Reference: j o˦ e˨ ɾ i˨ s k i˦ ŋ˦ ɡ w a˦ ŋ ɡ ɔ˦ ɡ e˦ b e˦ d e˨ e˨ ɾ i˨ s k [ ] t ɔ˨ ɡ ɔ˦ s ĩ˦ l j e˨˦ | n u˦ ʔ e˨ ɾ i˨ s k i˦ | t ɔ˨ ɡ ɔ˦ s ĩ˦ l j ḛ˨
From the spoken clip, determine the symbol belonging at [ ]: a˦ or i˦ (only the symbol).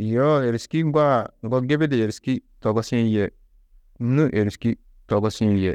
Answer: i˦